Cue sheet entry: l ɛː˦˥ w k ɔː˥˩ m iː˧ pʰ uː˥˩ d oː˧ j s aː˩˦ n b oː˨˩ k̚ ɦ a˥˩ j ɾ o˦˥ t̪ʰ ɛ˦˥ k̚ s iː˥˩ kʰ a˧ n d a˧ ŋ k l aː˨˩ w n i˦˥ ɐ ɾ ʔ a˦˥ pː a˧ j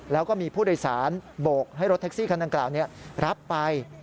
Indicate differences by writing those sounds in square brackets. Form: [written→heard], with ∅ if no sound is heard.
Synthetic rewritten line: l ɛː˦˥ w k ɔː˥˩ m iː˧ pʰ uː˥˩ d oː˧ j s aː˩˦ n b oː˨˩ k̚ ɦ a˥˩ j ɾ o˦˥ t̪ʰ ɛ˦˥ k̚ s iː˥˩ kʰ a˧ n d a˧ ŋ k l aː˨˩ w n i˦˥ ɐ ɾ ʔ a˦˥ pː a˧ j